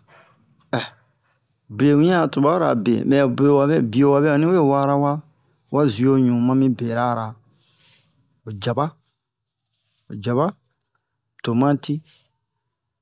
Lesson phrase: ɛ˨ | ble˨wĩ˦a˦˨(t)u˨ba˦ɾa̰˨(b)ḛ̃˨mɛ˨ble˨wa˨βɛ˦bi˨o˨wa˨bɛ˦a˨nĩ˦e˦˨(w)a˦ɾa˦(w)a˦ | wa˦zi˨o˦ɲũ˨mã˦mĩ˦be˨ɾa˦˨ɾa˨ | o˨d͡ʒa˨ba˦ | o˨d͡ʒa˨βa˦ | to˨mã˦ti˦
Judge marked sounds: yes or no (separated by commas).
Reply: yes, yes, yes, yes